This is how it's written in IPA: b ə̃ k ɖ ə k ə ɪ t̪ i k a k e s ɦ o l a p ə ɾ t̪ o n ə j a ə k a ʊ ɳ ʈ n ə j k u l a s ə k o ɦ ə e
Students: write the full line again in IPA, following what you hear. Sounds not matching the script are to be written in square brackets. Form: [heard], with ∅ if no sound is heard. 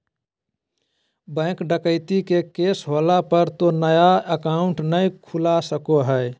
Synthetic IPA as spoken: b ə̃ k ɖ ə k ə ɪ t̪ i k [e] k e s ɦ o l a p ə ɾ t̪ o n ə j a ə k a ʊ ɳ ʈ n ə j [kʰ] u l a s ə k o ɦ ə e